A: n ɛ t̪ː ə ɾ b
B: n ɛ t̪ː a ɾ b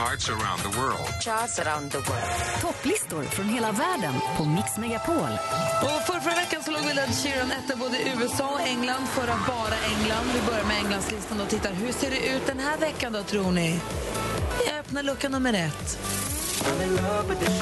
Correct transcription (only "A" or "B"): A